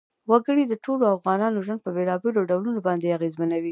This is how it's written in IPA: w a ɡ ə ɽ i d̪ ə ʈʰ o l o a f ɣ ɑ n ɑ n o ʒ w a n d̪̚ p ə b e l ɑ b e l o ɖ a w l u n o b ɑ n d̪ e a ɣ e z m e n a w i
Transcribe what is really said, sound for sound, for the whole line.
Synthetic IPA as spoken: w a ɡ ə ɽ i d̪ ə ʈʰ o l o a f ɣ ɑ n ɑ n o ʒ w a n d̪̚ p ə b e l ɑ b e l o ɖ a w l u n o b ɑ n d̪ e a ɣ e z m a n a w i